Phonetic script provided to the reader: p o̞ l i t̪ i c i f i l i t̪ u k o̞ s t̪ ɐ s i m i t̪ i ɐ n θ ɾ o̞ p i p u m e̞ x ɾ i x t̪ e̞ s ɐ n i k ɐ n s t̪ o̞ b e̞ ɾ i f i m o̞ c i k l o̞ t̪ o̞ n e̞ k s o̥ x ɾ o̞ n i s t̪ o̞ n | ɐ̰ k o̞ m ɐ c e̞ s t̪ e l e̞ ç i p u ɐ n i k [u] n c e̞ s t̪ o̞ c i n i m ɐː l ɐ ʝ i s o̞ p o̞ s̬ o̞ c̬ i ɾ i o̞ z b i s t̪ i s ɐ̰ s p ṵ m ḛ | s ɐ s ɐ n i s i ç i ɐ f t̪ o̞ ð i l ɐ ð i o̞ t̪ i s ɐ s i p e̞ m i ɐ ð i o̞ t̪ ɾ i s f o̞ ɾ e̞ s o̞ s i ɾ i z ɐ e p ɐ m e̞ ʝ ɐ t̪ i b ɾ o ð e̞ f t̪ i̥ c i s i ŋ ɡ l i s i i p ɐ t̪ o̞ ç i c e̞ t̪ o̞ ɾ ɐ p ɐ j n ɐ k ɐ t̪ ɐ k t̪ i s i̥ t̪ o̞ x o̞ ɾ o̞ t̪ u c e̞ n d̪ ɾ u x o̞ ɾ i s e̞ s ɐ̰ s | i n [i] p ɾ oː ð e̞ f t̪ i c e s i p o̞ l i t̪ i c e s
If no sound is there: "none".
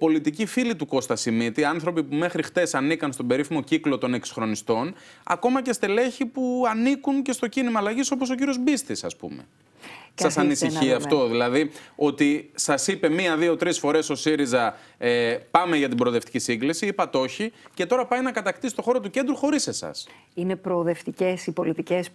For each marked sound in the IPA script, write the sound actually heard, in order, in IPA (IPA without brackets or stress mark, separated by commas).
u, e